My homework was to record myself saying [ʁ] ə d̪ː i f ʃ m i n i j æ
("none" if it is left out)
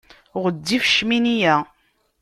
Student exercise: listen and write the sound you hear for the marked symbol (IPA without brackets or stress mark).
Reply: ʁ